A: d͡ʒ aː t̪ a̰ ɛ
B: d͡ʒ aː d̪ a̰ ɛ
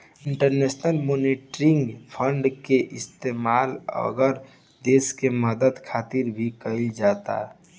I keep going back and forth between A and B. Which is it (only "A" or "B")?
A